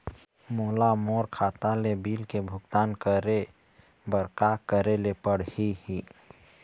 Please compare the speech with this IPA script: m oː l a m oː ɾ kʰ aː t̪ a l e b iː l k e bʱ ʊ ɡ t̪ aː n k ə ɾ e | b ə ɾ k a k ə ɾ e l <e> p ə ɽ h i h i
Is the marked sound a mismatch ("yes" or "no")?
no